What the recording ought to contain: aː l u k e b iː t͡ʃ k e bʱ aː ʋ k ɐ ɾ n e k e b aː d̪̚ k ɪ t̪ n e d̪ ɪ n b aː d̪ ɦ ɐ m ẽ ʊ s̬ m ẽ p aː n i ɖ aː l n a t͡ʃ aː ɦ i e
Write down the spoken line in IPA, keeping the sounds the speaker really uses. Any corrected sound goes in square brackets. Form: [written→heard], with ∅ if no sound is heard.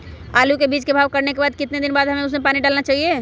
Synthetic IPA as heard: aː l u k e b iː t͡ʃ k e bʱ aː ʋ k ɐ ɾ n e k e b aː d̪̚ k ɪ t̪ n e d̪ ɪ n b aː d̪ ɦ ɐ m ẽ ʊ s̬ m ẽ p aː n i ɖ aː l n a t͡ʃ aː ɦ i e